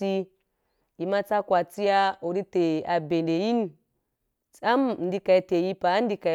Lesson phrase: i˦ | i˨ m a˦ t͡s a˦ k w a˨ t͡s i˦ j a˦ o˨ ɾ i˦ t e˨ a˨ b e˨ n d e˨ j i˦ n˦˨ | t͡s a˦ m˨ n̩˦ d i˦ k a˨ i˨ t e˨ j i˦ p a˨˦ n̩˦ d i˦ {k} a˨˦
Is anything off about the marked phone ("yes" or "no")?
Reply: no